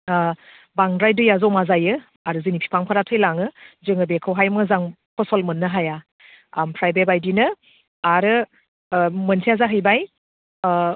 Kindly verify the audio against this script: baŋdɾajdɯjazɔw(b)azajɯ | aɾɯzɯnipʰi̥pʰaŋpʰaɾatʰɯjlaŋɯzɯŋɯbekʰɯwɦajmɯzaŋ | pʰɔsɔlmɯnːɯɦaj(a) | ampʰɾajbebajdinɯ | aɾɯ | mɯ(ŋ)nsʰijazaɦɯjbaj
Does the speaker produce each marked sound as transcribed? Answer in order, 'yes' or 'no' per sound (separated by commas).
no, yes, no